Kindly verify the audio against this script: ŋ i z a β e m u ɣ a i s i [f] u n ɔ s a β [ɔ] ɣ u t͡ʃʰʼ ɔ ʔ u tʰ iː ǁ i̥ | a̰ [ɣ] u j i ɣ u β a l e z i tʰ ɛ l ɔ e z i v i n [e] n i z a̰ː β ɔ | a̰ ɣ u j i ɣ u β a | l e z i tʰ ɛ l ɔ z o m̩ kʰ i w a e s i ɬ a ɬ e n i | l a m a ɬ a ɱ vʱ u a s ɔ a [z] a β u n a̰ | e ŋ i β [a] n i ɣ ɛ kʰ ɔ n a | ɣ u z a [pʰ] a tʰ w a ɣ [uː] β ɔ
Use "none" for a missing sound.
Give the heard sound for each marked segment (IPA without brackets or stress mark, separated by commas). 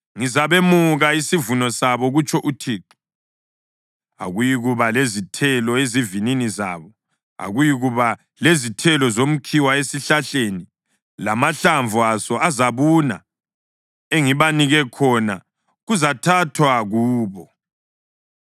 v, ɔ, ɣ, i, z, a, tʰ, uː